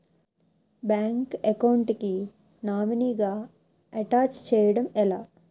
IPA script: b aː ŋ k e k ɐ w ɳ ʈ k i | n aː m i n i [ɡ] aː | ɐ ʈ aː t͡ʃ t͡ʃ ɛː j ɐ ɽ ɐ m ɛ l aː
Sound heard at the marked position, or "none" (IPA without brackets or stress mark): ɡ